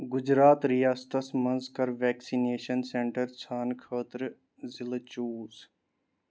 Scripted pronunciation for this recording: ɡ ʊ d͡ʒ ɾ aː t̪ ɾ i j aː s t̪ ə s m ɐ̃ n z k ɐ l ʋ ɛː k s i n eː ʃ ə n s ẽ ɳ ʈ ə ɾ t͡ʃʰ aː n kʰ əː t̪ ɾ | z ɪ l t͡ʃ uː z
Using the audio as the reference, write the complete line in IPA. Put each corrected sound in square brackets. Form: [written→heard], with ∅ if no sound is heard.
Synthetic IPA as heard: ɡ ʊ d͡ʒ ɾ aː t̪ ɾ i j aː s t̪ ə s m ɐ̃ n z k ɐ [l→ɾ] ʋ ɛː k s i n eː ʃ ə n s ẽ ɳ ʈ ə ɾ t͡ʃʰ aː n kʰ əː t̪ ɾ | z ɪ l t͡ʃ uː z